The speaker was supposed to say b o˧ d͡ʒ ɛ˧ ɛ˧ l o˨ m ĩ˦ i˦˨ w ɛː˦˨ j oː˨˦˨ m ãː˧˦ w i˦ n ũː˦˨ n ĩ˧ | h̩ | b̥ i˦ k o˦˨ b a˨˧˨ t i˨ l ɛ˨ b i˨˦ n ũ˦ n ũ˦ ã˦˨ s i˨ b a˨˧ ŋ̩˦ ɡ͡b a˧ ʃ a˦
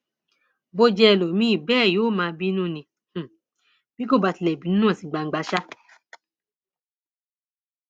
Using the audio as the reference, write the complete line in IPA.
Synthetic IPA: b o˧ d͡ʒ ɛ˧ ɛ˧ l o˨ m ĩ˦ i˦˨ b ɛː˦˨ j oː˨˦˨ m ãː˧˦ b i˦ n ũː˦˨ n ĩ˧ | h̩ | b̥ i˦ k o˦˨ b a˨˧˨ t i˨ l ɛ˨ b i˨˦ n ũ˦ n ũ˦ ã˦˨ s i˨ ɡ͡b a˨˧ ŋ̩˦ ɡ͡b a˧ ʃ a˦